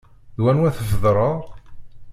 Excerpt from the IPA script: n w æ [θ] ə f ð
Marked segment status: correct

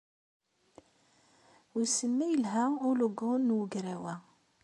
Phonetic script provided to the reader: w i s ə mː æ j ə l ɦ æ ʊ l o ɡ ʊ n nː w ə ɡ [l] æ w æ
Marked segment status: incorrect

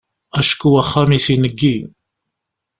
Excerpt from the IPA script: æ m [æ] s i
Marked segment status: incorrect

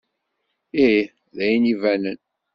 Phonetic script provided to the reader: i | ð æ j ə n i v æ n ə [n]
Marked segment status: correct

